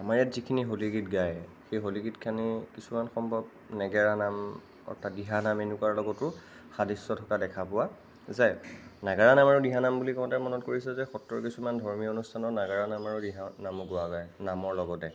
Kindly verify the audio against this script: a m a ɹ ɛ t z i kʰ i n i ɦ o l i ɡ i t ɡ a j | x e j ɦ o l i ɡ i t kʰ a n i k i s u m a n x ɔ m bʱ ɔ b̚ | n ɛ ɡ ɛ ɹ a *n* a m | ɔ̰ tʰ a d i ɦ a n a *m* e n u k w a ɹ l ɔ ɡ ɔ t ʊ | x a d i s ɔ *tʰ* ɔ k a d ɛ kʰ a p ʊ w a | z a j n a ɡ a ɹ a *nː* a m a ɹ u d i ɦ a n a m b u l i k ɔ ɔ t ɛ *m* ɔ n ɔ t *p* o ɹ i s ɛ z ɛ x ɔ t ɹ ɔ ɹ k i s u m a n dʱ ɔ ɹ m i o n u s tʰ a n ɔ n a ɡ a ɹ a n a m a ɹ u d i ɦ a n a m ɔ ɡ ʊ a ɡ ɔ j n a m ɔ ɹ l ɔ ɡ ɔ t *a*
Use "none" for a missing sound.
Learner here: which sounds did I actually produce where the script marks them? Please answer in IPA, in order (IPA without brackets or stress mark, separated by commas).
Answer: n, m, tʰ, n, m, k, ɛ